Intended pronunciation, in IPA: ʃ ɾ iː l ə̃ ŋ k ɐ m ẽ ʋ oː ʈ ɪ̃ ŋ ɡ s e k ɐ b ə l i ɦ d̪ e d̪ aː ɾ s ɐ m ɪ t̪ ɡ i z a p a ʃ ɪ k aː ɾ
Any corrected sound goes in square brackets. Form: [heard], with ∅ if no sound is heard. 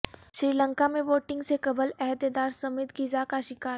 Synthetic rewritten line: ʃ ɾ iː l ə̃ ŋ k [a] m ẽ ʋ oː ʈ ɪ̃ ŋ ɡ s e k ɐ b ə l [ɛ] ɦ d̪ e d̪ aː ɾ s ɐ m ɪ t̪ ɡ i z a [k] a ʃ ɪ k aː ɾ